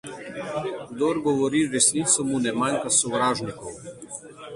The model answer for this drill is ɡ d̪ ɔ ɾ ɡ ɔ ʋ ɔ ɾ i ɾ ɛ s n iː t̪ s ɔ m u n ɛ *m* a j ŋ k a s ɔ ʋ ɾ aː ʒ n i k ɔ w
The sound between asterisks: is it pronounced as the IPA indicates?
yes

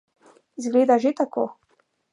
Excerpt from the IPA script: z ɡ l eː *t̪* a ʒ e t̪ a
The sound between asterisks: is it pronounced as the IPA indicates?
no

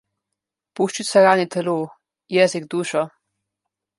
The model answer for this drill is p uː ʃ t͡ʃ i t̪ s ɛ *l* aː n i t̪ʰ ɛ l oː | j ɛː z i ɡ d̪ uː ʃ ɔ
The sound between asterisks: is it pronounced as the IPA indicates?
no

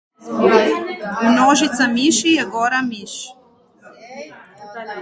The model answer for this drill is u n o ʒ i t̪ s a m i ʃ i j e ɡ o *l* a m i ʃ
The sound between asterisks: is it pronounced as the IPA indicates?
no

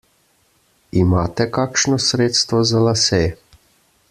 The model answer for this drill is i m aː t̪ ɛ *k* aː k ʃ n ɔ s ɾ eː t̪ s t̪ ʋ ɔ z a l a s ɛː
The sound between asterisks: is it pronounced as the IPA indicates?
yes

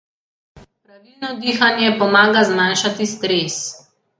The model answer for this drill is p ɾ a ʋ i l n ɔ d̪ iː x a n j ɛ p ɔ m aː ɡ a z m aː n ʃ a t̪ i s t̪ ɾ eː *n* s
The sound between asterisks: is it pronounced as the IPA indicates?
no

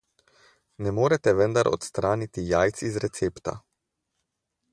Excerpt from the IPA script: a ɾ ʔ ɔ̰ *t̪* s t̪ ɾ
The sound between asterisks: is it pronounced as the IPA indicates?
yes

